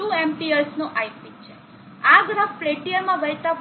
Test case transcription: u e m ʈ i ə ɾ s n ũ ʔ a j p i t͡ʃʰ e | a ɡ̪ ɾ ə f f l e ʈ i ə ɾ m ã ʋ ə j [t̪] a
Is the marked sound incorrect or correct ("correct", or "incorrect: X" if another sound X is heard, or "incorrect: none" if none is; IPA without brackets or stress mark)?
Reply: correct